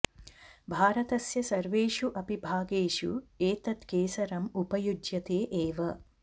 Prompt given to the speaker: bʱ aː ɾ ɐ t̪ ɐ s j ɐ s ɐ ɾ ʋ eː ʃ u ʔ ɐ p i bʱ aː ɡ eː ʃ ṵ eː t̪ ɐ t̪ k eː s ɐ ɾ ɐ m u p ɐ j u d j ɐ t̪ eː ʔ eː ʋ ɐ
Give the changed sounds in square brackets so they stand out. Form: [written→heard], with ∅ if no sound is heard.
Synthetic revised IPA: bʱ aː ɾ ɐ t̪ ɐ s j ɐ s ɐ ɾ ʋ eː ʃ u ʔ ɐ p i bʱ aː ɡ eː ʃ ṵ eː t̪ ɐ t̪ k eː s ɐ ɾ ɐ m u p ɐ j u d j ɐ t̪ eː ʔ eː ʋ ɐ